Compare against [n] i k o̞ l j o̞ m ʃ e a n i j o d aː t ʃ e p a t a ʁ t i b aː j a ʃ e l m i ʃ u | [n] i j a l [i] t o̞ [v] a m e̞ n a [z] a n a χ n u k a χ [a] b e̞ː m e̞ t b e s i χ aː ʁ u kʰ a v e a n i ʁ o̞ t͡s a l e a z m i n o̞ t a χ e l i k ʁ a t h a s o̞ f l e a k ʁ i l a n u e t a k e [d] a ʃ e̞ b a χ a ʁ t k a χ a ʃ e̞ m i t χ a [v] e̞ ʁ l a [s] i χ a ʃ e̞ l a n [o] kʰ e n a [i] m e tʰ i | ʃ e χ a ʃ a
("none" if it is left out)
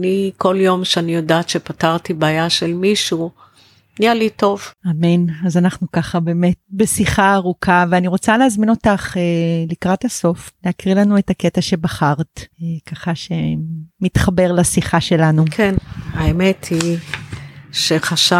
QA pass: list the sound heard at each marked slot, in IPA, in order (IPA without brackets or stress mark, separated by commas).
n, n, i, v, z, a, t, b, s, u, e